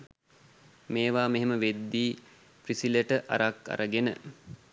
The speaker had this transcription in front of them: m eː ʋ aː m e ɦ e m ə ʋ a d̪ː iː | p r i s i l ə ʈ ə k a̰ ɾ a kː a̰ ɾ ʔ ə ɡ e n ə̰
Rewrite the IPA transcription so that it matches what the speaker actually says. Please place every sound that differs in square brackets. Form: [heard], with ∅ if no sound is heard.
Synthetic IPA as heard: m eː ʋ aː m e ɦ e m ə ʋ [e] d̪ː iː | p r i s i l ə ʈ ə [ʔ] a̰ ɾ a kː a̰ ɾ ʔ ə ɡ e n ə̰